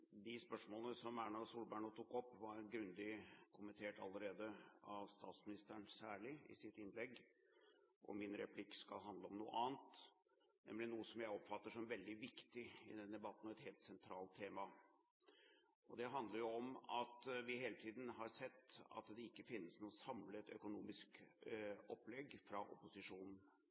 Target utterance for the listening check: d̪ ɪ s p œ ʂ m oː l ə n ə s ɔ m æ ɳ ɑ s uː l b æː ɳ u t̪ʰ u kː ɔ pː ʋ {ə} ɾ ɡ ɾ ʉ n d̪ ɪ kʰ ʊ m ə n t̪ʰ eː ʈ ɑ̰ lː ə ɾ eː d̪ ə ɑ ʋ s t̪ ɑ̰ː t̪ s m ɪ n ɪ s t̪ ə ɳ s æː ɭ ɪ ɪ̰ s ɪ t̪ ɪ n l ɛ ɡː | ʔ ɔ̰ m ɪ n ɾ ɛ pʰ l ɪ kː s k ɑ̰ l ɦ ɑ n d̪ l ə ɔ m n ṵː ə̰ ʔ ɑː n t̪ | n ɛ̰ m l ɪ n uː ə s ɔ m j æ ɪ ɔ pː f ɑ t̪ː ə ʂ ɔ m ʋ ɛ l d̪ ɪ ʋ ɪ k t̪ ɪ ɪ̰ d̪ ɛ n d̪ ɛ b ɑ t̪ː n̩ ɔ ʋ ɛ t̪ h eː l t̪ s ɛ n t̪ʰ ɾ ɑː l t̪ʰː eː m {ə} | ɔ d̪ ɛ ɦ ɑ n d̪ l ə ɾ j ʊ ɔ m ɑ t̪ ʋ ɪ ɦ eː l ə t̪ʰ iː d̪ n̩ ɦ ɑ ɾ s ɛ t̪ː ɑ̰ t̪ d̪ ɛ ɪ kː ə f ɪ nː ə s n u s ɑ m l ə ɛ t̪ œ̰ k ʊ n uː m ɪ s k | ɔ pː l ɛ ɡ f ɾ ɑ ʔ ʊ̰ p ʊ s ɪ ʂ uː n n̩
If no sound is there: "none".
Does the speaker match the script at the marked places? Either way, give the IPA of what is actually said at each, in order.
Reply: ɑ, ɑ

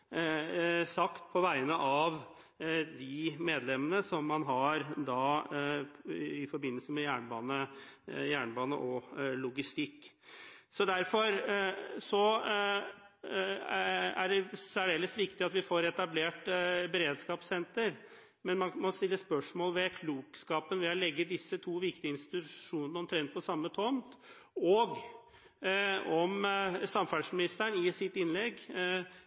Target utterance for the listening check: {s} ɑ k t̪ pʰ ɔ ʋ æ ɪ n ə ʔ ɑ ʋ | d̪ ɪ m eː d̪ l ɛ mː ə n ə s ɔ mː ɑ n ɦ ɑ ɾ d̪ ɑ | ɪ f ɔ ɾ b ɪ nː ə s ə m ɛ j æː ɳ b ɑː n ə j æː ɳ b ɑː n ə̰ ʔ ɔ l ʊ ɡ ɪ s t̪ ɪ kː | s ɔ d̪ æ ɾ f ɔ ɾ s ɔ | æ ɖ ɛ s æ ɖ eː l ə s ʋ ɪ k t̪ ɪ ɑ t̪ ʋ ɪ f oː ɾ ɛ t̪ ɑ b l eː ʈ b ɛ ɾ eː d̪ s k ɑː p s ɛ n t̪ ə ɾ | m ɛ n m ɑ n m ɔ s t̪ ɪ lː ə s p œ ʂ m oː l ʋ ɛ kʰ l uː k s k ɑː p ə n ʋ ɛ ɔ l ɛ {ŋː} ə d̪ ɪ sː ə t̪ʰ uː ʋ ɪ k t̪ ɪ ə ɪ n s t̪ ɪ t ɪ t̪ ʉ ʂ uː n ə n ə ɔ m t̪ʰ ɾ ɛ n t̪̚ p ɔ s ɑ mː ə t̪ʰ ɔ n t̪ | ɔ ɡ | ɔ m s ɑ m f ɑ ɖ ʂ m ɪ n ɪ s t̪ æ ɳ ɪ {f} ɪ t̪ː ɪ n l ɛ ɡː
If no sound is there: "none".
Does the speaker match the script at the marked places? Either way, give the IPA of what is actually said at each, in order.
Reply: s, ɡː, s

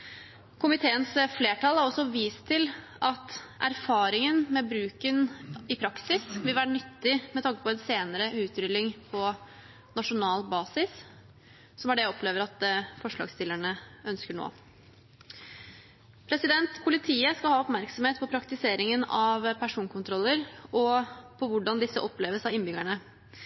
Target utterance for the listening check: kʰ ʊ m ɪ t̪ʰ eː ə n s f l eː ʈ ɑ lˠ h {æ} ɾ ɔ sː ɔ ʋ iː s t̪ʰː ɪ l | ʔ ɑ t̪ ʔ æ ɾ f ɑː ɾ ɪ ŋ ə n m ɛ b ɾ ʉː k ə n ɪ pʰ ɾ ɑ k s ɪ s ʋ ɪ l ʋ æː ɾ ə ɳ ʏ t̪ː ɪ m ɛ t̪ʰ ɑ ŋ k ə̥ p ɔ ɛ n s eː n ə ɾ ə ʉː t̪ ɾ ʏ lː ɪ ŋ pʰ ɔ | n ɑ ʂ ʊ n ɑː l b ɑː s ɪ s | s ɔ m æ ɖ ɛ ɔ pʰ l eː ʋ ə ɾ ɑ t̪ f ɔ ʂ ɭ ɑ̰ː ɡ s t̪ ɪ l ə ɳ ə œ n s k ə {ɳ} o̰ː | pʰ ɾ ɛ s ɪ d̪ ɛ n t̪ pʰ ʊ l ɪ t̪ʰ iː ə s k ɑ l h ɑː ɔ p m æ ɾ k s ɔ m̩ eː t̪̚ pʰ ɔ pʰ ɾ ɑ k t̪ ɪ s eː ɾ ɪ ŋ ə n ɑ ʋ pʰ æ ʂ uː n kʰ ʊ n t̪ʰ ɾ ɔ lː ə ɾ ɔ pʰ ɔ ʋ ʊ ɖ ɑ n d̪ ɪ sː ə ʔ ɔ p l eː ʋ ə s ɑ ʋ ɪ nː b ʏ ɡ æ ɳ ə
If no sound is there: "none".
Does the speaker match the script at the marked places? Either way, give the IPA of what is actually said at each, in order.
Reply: æ, ɳ

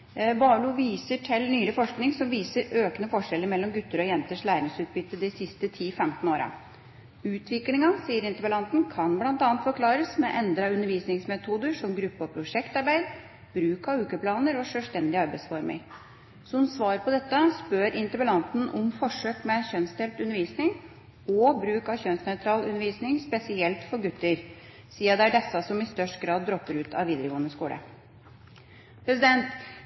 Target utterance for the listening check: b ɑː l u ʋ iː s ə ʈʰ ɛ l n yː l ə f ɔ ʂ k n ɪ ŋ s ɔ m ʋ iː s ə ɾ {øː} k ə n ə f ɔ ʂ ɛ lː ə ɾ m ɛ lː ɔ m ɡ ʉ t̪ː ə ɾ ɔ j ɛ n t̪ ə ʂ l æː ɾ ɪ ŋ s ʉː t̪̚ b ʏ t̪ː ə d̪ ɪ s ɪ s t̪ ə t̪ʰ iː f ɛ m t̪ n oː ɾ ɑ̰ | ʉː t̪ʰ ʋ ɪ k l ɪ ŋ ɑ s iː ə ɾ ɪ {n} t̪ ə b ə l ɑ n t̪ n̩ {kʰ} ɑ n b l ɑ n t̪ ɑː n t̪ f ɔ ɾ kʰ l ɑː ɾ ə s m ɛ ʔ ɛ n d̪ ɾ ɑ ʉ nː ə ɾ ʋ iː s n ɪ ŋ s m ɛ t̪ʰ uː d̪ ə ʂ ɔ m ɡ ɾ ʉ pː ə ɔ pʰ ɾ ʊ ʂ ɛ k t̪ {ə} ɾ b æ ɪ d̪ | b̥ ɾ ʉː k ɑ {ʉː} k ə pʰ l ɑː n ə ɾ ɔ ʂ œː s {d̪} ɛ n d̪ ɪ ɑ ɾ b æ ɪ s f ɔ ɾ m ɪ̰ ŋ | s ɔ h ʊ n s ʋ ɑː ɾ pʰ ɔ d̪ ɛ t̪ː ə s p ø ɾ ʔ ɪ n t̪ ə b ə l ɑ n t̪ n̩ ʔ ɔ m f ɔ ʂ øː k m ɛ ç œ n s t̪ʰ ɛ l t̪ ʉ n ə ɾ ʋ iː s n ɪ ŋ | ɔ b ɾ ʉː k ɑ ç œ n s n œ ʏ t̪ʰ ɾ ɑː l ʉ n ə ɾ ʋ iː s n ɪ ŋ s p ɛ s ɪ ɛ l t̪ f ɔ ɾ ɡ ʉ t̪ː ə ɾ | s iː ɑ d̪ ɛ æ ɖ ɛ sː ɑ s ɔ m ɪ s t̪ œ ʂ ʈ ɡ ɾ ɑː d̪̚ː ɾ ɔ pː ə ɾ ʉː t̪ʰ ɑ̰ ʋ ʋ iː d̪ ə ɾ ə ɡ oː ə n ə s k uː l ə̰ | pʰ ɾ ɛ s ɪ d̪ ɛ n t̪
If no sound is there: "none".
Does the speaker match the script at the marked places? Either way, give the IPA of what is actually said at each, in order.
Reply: øː, n, kʰ, ɑ, ʉː, t̪

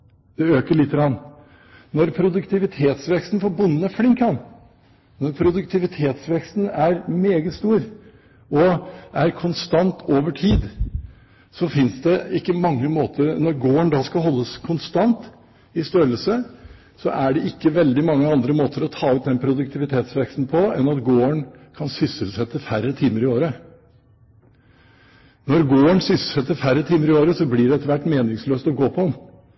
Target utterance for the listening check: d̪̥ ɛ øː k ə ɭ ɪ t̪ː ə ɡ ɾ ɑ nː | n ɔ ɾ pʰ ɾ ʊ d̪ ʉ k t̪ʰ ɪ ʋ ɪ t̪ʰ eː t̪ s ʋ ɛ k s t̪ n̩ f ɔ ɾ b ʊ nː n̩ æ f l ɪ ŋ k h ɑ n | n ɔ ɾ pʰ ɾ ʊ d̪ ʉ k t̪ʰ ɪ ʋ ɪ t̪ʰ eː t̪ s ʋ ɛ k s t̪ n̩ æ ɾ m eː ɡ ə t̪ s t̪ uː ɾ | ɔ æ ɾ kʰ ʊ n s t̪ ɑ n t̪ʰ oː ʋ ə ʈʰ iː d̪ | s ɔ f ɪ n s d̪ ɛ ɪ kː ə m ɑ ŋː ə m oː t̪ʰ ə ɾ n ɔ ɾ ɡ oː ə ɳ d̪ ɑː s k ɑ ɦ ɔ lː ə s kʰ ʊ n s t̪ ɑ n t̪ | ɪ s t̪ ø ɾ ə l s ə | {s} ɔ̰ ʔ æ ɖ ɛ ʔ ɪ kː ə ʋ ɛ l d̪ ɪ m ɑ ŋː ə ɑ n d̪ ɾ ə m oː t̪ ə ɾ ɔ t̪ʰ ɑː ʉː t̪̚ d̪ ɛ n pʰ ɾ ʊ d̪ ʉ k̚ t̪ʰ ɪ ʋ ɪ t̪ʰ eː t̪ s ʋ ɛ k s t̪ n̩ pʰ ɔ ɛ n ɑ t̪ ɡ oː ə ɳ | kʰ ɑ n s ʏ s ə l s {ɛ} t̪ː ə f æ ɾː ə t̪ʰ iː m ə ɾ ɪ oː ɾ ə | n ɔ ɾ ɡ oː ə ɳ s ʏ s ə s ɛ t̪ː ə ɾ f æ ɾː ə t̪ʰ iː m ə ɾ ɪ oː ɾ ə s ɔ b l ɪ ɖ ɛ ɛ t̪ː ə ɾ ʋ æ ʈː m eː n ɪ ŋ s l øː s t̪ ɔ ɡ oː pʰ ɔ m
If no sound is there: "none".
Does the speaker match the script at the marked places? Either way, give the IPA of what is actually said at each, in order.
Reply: s, ɛ

